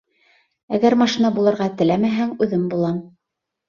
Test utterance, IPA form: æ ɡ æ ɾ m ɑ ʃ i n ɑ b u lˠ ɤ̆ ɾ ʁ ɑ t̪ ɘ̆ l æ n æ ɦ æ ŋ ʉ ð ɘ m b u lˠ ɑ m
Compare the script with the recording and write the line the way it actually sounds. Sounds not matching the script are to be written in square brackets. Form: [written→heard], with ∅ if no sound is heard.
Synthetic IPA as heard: æ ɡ æ ɾ m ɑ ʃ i n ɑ b u lˠ ɤ̆ ɾ ʁ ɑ t̪ ɘ̆ l æ [n→m] æ ɦ æ ŋ ʉ ð ɘ m b u lˠ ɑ m

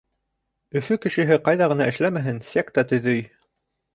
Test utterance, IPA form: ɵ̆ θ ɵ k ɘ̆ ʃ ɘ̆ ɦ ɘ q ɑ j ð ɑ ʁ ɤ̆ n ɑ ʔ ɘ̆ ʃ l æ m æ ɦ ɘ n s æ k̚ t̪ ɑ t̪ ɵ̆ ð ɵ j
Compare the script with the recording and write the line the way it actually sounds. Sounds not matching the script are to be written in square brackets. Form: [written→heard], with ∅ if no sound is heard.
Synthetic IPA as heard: ɵ̆ [θ→f] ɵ k ɘ̆ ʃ ɘ̆ ɦ ɘ q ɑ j ð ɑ ʁ ɤ̆ n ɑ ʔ ɘ̆ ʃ l æ m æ ɦ ɘ n s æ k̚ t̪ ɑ t̪ ɵ̆ ð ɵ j

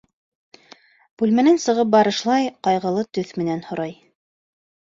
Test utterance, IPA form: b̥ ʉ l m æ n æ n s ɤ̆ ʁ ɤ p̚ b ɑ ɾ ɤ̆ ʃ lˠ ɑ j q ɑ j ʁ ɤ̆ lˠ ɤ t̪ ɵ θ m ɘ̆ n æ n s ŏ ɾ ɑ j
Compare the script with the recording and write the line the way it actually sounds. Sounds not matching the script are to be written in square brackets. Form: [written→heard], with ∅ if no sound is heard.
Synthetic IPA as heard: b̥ ʉ l m æ n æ n s ɤ̆ ʁ ɤ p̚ b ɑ ɾ ɤ̆ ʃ lˠ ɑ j q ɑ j ʁ ɤ̆ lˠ ɤ t̪ ɵ θ m ɘ̆ n æ n [s→h] ŏ ɾ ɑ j

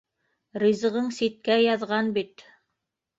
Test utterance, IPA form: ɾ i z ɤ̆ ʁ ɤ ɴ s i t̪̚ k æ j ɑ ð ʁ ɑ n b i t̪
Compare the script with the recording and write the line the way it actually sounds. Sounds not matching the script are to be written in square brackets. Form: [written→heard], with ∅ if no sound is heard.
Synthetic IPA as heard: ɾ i z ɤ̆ ʁ ɤ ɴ s i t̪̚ k æ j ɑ ð ʁ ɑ n b i t̪

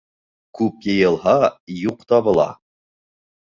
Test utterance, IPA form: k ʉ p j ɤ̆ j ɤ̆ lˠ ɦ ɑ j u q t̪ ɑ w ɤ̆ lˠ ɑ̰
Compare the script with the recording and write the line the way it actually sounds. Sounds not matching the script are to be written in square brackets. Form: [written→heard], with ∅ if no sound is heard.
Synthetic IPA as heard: k ʉ p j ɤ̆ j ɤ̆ lˠ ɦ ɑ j u q t̪ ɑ [w→β] ɤ̆ lˠ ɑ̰

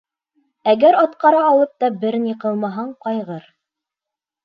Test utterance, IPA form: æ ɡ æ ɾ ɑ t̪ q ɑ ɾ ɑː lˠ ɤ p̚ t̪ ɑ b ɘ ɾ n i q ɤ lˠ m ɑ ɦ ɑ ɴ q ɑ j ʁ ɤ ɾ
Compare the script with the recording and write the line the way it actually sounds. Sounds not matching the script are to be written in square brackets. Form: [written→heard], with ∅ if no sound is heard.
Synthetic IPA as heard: æ ɡ æ ɾ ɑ t̪ q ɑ ɾ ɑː lˠ ɤ p̚ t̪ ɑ b ɘ ɾ n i q ɤ lˠ m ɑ ɦ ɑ ɴ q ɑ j ʁ ɤ ɾ

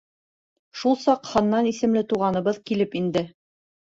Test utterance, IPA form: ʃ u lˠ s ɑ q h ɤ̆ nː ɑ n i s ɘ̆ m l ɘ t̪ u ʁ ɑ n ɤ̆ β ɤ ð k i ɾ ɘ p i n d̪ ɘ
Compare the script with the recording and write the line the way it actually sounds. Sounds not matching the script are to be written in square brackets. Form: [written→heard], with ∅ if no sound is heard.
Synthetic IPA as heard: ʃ u lˠ s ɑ q h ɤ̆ nː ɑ n i s ɘ̆ m l ɘ t̪ u ʁ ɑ n ɤ̆ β ɤ ð k i [ɾ→l] ɘ p i n d̪ ɘ

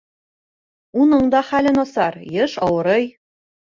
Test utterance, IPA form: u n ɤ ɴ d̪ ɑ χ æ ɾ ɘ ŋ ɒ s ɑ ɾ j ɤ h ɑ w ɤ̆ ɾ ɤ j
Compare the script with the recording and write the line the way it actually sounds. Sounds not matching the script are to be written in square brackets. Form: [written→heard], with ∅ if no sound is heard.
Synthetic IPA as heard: u n ɤ ɴ d̪ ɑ χ æ [ɾ→l] ɘ [ŋ→n] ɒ s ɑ ɾ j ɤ [h→ʃ] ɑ w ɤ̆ ɾ ɤ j

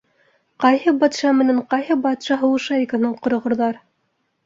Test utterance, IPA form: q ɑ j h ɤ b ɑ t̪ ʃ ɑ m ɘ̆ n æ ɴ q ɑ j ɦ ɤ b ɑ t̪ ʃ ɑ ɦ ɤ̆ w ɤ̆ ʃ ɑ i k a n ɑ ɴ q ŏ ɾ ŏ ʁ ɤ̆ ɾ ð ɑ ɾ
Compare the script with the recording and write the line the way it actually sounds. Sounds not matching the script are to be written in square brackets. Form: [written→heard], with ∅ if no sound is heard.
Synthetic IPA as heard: q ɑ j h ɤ b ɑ t̪ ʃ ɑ m ɘ̆ n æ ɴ q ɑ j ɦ ɤ b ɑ t̪ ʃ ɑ ɦ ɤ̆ w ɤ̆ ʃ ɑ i k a n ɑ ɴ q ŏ ɾ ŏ ʁ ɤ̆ ɾ ð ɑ ɾ

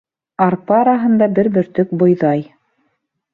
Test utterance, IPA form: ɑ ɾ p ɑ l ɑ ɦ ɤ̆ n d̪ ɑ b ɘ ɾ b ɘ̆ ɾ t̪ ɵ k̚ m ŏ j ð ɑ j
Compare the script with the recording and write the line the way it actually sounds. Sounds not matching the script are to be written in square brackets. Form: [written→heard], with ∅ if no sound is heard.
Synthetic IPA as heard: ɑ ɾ p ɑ [l→ɾ] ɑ ɦ ɤ̆ n d̪ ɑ b ɘ ɾ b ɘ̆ ɾ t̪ ɵ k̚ [m→b] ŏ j ð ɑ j

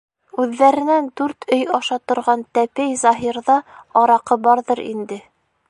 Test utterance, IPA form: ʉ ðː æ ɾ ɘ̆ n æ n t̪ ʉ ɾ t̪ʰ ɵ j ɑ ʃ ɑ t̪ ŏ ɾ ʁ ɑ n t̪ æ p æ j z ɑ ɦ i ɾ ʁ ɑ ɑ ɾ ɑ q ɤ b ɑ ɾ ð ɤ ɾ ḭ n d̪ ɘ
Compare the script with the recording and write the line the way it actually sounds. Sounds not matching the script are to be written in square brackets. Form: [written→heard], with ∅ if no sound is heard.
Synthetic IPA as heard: ʉ ðː æ ɾ ɘ̆ n æ n [t̪→d̪] ʉ ɾ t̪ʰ ɵ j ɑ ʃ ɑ t̪ ŏ ɾ ʁ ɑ n t̪ æ p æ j z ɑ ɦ i ɾ [ʁ→ð] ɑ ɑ ɾ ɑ q ɤ b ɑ ɾ ð ɤ ɾ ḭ n d̪ ɘ

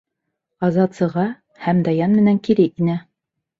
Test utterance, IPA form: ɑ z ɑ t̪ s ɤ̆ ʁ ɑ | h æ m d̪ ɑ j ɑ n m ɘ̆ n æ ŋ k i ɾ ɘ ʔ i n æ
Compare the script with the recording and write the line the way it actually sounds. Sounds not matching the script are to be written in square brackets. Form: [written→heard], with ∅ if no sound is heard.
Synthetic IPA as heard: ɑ z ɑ t̪ s ɤ̆ ʁ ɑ | h æ m d̪ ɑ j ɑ n m ɘ̆ n æ ŋ k i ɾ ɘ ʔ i n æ

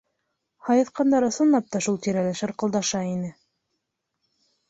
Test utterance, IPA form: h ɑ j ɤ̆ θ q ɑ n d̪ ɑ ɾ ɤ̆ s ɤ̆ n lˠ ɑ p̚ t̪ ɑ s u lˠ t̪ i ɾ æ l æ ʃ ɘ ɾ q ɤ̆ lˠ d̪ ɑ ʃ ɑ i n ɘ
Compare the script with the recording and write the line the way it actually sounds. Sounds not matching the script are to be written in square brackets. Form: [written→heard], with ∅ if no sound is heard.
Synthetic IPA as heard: h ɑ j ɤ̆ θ q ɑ n d̪ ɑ ɾ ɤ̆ s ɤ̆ n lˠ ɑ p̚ t̪ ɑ [s→ʃ] u lˠ t̪ i ɾ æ l æ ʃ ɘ ɾ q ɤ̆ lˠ d̪ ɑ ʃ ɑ i n ɘ

